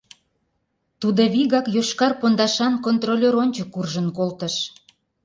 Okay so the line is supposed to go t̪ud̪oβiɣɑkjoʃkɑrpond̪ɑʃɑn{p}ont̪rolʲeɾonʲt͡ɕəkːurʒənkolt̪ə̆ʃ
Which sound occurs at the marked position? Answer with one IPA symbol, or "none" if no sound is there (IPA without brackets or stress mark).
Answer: k